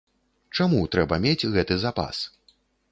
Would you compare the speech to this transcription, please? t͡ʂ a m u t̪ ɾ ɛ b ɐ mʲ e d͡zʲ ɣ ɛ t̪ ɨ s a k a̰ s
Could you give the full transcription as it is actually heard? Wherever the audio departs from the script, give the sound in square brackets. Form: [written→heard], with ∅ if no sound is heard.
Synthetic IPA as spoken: t͡ʂ a m u t̪ ɾ ɛ b ɐ mʲ e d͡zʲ ɣ ɛ t̪ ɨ [s→z] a [k→p] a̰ s